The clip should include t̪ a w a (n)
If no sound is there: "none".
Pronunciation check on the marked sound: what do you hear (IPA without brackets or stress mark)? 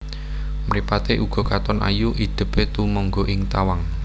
ŋ